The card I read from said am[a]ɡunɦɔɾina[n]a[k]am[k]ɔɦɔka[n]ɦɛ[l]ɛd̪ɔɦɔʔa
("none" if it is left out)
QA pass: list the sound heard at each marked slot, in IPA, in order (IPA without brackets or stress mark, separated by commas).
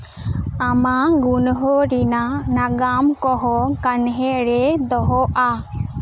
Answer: a, n, ɡ, k, n, ɾ